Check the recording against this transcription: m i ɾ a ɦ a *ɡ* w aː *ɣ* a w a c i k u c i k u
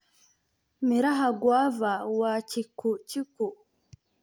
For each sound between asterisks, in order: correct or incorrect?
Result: correct, incorrect

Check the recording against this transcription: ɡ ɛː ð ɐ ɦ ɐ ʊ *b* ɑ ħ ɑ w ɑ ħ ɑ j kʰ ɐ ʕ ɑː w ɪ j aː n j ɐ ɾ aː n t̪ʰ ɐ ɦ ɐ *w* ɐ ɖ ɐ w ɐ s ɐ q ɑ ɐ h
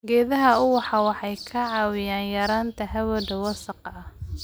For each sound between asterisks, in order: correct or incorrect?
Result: incorrect, correct

